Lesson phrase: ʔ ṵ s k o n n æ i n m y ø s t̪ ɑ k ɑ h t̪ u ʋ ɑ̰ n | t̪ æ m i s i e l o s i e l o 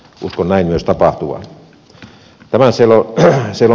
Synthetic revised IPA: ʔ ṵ s k o n n æ i n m y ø s t̪ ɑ p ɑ h t̪ u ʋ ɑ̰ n | t̪ æ m æ s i e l o s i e l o